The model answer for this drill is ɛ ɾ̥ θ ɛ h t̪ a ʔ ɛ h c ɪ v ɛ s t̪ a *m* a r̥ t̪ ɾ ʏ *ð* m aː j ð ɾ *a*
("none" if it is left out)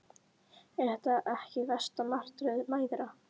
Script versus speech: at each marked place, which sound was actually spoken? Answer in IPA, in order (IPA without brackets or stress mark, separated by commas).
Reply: m, ð, a